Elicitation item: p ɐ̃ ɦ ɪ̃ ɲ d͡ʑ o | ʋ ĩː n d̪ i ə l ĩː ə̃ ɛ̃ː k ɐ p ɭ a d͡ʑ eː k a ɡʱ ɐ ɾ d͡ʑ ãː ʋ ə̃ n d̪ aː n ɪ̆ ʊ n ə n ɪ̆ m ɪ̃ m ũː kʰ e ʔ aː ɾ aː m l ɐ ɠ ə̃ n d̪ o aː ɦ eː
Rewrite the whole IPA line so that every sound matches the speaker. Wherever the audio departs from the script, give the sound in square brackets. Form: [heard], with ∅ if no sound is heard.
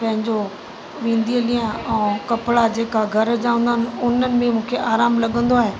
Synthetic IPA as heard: p ɐ̃ ɦ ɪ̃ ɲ d͡ʑ o | ʋ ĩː n d̪ i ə l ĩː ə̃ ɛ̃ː k ɐ p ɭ a d͡ʑ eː k a ɡʱ ɐ ɾ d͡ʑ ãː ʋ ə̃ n d̪ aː n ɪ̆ ʊ n ə n ɪ̆ m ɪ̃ m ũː kʰ e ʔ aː ɾ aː m l ɐ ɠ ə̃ n d̪ o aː ɦ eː